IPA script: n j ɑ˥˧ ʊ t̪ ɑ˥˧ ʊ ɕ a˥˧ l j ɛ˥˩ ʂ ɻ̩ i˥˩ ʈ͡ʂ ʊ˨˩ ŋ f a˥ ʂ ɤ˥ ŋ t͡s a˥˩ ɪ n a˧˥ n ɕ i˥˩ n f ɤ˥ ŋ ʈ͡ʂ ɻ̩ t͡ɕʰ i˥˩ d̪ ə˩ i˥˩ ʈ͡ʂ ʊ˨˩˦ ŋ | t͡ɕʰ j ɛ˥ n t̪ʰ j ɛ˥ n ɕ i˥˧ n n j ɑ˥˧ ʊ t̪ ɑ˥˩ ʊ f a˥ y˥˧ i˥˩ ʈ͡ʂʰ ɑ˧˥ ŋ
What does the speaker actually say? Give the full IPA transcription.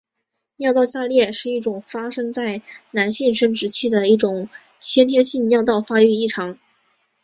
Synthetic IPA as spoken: n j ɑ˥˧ ʊ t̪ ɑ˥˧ ʊ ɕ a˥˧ l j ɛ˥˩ ʂ ɻ̩ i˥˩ ʈ͡ʂ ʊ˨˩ ŋ f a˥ ʂ ɤ˥ ŋ t͡s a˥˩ ɪ n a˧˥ n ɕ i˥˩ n ʂ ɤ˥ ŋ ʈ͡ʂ ɻ̩ t͡ɕʰ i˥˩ d̪ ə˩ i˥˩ ʈ͡ʂ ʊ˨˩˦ ŋ | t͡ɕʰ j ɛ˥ n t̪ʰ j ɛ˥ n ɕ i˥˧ n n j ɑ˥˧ ʊ t̪ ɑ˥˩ ʊ f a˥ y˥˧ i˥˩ ʈ͡ʂʰ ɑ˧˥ ŋ

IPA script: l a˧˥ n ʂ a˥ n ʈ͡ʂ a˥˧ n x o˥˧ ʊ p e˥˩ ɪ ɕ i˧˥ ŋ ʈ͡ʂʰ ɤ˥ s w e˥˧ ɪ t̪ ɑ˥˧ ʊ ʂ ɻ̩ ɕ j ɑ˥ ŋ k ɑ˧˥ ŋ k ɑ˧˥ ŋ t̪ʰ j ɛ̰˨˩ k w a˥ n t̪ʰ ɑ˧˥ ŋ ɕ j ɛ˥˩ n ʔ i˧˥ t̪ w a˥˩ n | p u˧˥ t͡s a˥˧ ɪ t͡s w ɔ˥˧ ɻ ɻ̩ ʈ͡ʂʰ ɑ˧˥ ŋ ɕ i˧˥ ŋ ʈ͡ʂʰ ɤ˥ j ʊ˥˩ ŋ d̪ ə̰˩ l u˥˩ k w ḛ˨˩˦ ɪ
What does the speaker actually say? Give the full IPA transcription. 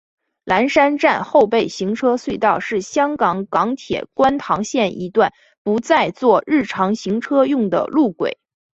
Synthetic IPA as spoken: l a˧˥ n ʂ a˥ n ʈ͡ʂ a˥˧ n x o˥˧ ʊ p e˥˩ ɪ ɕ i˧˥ ŋ ʈ͡ʂʰ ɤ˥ s w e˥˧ ɪ t̪ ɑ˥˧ ʊ ʂ ɻ̩ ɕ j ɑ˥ ŋ k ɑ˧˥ ŋ k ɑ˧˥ ŋ t̪ʰ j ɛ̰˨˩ k w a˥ n t̪ʰ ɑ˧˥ ŋ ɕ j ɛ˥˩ n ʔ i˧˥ t̪ w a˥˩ n | p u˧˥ t͡s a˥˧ ɪ t͡s w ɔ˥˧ ɻ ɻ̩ ʈ͡ʂʰ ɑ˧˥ ŋ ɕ i˧˥ ŋ ʈ͡ʂʰ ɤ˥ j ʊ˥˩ ŋ d̪ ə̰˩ l u˥˩ k w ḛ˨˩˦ ɪ

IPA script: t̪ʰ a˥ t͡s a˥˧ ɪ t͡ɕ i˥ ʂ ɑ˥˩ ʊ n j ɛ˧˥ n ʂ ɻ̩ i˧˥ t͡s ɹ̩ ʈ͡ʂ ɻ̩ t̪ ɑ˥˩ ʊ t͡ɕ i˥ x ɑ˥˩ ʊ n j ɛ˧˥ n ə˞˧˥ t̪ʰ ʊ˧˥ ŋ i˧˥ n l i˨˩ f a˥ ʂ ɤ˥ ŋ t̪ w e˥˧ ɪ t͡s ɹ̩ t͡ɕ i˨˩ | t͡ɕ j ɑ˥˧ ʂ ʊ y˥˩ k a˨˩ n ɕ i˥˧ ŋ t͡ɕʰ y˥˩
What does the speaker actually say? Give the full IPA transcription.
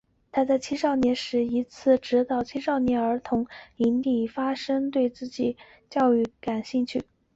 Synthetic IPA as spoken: t̪ʰ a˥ t͡s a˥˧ ɪ t͡ɕʰ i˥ ʂ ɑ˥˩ ʊ n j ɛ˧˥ n ʂ ɻ̩ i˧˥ t͡sʰ ɹ̩ ʈ͡ʂ ɻ̩ t̪ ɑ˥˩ ʊ t͡ɕʰ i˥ ʂ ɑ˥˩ ʊ n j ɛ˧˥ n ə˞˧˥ t̪ʰ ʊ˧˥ ŋ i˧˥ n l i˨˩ f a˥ ʂ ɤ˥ ŋ t̪ w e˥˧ ɪ t͡s ɹ̩ t͡ɕ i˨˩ | t͡ɕ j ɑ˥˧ ʊ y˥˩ k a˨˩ n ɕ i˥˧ ŋ t͡ɕʰ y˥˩

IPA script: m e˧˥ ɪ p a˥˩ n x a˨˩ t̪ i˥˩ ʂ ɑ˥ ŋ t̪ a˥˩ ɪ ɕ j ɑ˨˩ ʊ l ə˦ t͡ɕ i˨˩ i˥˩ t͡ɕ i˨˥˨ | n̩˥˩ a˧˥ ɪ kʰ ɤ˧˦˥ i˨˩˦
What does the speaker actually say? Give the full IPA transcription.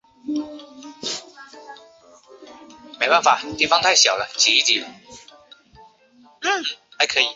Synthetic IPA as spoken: m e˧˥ ɪ p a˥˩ n f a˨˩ t̪ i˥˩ f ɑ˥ ŋ t̪ʰ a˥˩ ɪ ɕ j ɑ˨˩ ʊ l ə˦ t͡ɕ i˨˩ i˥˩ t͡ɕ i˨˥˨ | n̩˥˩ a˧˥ ɪ kʰ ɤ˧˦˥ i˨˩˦

